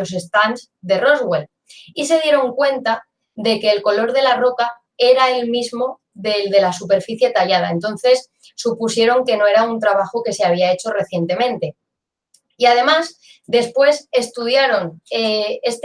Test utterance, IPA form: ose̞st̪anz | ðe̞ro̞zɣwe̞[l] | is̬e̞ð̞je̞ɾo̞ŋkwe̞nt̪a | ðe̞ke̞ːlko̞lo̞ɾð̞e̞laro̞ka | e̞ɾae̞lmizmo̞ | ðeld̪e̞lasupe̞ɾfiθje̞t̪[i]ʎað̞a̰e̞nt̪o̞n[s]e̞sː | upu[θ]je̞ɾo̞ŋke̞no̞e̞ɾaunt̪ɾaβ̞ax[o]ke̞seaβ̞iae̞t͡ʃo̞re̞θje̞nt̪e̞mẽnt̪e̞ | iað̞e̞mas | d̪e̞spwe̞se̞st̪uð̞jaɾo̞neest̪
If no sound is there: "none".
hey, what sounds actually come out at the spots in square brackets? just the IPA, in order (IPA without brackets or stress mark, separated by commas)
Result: l, a, θ, s, o